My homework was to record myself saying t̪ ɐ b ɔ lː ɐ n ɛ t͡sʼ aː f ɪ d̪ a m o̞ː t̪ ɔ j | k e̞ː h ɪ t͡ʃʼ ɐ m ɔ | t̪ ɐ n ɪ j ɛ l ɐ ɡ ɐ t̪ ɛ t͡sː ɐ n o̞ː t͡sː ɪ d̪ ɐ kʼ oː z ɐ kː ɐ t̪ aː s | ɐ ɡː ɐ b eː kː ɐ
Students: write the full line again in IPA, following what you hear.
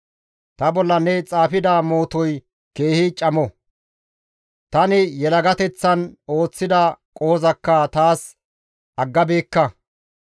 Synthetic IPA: t̪ ɐ b ɔ lː ɐ n ɛ t͡sʼ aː f ɪ d̪ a m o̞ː t̪ ɔ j | k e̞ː h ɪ t͡ʃʼ ɐ m ɔ | t̪ ɐ n ɪ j ɛ l ɐ ɡ ɐ t̪ ɛ t͡sː ɐ n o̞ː t͡sː ɪ d̪ ɐ kʼ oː z ɐ kː ɐ t̪ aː s | ɐ ɡː ɐ b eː kː ɐ

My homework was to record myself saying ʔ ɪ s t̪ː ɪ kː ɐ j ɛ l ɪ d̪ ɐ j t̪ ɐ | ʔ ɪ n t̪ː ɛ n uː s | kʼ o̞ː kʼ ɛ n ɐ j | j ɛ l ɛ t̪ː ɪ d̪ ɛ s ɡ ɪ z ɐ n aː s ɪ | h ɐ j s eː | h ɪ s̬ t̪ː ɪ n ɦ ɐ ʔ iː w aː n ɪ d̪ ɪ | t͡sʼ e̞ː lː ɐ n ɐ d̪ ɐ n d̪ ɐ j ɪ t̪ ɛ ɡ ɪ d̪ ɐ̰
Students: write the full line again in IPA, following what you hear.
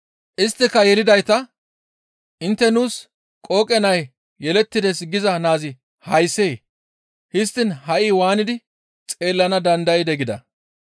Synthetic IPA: ʔ ɪ s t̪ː ɪ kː ɐ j ɛ l ɪ d̪ ɐ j t̪ ɐ | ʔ ɪ n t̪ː ɛ n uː s | kʼ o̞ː kʼ ɛ n ɐ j | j ɛ l ɛ t̪ː ɪ d̪ ɛ s ɡ ɪ z ɐ n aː z ɪ | h ɐ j s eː | h ɪ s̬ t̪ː ɪ n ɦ ɐ ʔ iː w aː n ɪ d̪ ɪ | t͡sʼ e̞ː lː ɐ n ɐ d̪ ɐ n d̪ ɐ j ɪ d̪ ɛ ɡ ɪ d̪ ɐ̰

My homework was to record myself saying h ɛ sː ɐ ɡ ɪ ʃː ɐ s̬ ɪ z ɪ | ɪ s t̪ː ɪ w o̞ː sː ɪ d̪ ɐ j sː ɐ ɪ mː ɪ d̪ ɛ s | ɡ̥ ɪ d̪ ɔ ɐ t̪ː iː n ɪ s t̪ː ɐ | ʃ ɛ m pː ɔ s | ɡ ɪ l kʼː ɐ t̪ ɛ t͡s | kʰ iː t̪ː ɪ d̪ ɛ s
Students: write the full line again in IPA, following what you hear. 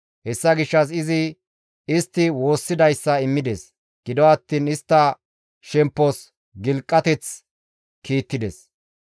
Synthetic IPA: h ɛ sː ɐ ɡ ɪ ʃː ɐ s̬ ɪ z ɪ | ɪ s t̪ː ɪ w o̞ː sː ɪ d̪ ɐ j sː ɐ ɪ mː ɪ d̪ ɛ s | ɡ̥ ɪ d̪ ɔ ɐ t̪ː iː n ɪ s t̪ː ɐ | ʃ ɛ m pː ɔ s | ɡ ɪ l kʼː ɐ t̪ ɛ t͡s | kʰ iː t̪ː ɪ d̪ ɛ s

